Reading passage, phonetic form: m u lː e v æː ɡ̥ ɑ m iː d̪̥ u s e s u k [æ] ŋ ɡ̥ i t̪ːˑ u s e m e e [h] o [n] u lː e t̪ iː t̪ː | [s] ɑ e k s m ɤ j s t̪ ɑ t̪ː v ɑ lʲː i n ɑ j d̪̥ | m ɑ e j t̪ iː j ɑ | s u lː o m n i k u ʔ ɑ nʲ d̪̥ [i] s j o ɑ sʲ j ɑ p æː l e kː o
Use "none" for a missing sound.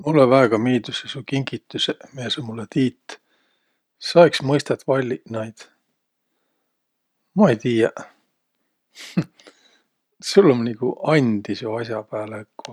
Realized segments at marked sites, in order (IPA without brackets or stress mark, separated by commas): i, s, m, s, i